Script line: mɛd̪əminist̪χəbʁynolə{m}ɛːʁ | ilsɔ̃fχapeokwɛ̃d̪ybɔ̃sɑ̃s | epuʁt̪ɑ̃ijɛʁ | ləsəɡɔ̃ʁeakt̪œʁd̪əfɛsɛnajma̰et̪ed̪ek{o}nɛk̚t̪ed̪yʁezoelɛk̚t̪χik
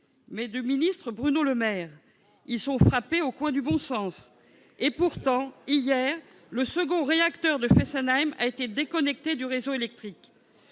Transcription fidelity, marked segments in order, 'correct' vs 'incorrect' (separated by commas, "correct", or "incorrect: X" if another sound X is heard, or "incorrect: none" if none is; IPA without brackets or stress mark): correct, incorrect: ɔ